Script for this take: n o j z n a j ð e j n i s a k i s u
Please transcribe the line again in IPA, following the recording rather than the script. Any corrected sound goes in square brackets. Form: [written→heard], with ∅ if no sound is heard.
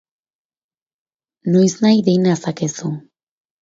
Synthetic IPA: n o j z n a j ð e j n [i→a] s a k [i→e] s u